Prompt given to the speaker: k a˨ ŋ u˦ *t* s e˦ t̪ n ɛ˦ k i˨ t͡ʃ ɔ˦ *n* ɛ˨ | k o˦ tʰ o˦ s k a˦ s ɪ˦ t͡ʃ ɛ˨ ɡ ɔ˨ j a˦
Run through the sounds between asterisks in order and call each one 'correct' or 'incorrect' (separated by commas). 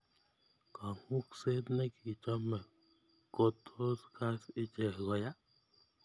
incorrect, incorrect